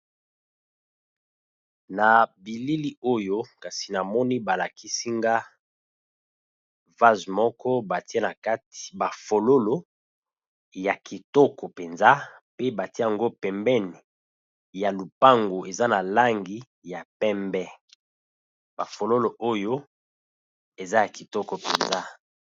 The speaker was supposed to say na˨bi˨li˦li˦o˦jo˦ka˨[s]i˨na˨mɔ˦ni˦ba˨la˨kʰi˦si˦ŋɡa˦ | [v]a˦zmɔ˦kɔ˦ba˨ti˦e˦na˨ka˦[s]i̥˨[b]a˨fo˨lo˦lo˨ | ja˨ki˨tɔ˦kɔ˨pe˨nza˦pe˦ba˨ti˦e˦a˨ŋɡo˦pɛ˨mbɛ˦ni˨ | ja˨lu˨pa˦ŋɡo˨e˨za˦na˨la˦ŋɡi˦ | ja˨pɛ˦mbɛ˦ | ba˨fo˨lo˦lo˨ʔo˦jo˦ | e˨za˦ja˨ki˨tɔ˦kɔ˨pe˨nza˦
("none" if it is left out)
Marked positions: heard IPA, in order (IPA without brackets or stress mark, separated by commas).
s, v, t, b